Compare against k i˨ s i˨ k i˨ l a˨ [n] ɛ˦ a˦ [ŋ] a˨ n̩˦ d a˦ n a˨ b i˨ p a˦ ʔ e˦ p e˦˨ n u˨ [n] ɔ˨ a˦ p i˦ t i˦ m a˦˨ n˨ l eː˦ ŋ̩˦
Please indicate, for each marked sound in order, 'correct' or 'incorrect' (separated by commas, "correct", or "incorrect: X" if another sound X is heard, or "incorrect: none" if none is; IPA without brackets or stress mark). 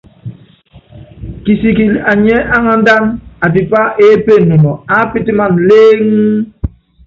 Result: incorrect: ɲ, correct, correct